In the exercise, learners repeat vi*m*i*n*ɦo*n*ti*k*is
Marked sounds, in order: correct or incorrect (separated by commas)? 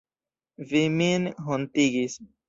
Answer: correct, correct, correct, incorrect